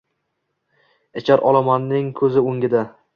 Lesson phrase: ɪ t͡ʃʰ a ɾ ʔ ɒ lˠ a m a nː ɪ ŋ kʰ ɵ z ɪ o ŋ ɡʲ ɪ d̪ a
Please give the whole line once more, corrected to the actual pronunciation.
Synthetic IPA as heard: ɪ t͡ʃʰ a ɾ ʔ ɒ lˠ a m a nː ɪ ŋ kʰ ɵ z ɪ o ŋ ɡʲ ɪ d̪ a